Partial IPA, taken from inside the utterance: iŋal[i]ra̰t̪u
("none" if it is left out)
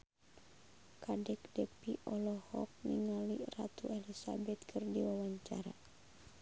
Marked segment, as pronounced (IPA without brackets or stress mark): i